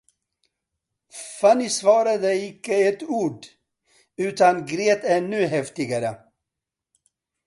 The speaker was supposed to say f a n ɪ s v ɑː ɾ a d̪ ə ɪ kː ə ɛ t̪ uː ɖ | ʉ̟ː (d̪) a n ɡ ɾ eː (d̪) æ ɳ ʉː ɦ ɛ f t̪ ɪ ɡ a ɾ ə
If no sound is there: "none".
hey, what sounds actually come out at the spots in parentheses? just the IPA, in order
t̪, t̪

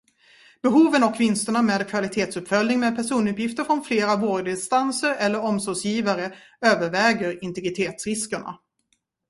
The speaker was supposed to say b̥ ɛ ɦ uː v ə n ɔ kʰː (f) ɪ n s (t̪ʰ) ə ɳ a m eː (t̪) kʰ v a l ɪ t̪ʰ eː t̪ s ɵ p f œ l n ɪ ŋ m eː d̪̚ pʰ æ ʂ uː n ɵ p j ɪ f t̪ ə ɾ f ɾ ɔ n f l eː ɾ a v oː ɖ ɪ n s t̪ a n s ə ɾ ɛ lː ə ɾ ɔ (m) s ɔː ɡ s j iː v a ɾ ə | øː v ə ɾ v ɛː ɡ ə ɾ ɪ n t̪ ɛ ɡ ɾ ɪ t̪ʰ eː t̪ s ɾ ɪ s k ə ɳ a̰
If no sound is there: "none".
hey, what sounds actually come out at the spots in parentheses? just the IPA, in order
v, t̪, d̪, m

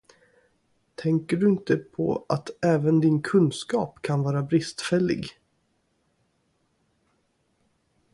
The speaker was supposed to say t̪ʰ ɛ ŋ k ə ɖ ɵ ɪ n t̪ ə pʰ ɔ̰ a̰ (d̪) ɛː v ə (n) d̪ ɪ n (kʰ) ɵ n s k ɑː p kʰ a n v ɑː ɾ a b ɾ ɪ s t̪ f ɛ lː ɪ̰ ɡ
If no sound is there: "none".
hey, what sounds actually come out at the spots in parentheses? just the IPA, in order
t̪, n, kʰ

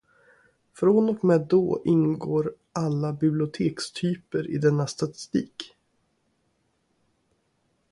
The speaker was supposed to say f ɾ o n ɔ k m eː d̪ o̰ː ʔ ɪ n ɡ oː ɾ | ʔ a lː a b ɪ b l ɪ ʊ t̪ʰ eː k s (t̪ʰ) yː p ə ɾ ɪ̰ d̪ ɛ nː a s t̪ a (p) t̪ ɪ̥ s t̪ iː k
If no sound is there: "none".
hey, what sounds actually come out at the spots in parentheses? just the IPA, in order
t̪ʰ, none

